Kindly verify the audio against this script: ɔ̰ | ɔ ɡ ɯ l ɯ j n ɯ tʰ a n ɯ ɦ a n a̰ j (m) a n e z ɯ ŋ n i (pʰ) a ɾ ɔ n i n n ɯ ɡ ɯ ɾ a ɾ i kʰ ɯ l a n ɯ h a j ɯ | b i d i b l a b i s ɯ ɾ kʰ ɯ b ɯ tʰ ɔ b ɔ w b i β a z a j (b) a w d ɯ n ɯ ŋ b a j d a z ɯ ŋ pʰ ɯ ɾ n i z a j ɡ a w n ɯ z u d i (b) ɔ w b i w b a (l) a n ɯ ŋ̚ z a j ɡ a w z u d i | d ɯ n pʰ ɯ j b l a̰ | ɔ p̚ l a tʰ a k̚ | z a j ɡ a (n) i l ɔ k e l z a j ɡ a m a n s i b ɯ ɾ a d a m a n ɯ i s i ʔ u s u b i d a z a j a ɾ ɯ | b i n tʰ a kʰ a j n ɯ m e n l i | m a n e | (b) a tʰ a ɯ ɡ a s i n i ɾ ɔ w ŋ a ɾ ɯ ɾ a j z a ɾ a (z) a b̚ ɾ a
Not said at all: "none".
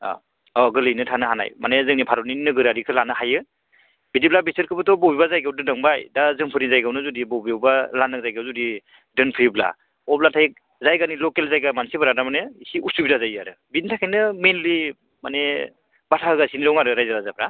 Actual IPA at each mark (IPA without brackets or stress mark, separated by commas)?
m, pʰ, ɡ, b, l, n, b, z